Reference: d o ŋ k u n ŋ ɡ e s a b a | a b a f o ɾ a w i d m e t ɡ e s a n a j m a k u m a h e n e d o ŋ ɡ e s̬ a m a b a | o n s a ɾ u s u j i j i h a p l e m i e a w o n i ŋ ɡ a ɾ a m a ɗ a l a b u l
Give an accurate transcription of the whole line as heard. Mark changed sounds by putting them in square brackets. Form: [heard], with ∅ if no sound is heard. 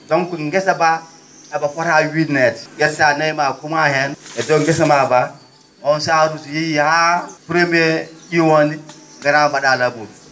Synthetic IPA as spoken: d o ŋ k u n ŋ ɡ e s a b a | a b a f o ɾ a w i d [n] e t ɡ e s a n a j m a k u m a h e n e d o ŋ ɡ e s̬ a m a b a | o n s a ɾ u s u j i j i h a p [ɾ] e m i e [i] w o n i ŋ ɡ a ɾ a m a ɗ a l a b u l